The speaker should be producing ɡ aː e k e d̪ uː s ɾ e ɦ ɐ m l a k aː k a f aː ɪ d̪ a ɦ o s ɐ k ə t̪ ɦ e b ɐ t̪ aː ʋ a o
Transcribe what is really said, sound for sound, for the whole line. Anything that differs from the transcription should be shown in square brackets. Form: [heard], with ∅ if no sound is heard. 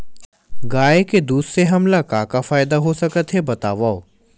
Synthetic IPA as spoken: ɡ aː e k e d̪ uː s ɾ e ɦ ɐ m l a k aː k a f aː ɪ d̪ a ɦ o s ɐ k ə t̪ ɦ e b ɐ t̪ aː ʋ a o